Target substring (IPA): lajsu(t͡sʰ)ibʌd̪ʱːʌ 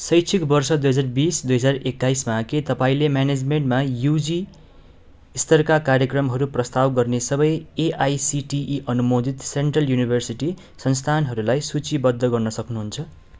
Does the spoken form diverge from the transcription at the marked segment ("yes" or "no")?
yes